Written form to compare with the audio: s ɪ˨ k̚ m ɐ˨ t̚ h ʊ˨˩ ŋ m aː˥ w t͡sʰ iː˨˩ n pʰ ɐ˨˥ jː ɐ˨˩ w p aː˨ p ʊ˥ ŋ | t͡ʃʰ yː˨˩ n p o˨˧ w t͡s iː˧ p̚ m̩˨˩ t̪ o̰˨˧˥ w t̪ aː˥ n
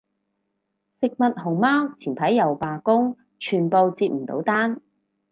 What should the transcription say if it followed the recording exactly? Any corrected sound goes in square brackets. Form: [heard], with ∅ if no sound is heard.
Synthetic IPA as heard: s ɪ˨ k̚ m ɐ˨ t̚ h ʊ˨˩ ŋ m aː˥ w t͡sʰ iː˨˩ n pʰ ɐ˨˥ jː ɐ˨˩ w p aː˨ [k] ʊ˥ ŋ | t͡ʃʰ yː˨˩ n p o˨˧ w t͡s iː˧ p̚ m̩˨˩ t̪ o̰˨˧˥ w t̪ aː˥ n